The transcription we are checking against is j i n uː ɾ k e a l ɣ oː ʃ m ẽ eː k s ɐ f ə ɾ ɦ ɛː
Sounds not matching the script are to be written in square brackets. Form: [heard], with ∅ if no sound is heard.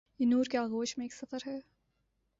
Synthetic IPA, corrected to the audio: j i n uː ɾ k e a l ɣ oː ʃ m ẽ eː k s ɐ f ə ɾ ɦ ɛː

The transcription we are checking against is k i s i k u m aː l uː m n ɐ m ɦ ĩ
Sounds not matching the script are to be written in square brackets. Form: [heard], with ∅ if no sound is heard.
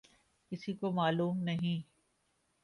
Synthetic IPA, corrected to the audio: k [ɪ] s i k [o] m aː l uː m n ɐ [∅] ɦ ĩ

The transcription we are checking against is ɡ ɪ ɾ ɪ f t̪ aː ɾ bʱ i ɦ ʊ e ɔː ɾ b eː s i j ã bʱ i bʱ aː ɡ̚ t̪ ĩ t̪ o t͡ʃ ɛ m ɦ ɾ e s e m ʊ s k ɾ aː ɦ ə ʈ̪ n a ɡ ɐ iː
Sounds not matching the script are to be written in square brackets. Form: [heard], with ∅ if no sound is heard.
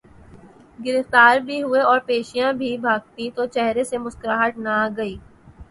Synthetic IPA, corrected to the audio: ɡ ɪ ɾ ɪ f t̪ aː ɾ bʱ i ɦ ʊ e ɔː ɾ [p] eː [ʃ] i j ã bʱ i bʱ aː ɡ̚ t̪ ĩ t̪ o t͡ʃ ɛ [∅] ɦ ɾ e s e m ʊ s k ɾ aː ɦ ə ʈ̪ n a ɡ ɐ iː

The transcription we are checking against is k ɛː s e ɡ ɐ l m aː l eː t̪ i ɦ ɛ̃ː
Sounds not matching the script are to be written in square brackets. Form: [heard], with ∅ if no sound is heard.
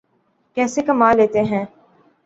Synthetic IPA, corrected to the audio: k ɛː s e [k] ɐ [∅] m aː l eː t̪ [e] ɦ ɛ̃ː

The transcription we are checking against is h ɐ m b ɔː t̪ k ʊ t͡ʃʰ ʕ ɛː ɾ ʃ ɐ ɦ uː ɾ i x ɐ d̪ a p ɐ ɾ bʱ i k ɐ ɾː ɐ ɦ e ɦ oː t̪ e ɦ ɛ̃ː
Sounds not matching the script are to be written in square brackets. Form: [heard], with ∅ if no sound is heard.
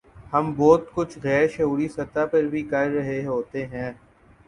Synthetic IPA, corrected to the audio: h ɐ m b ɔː t̪ k ʊ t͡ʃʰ [ɣ] ɛː ɾ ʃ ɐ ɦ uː ɾ i [s] ɐ [t̪] a p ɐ ɾ bʱ i k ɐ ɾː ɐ ɦ e ɦ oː t̪ e ɦ ɛ̃ː

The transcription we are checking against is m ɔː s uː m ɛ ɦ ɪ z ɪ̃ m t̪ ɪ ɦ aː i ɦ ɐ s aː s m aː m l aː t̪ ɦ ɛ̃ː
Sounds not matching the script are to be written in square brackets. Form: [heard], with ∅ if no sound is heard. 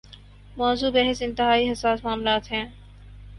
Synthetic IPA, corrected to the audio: m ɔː [z] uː [b] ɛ ɦ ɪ [s] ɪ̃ [n] t̪ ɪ ɦ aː i ɦ ɐ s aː s m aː m l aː t̪ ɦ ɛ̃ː

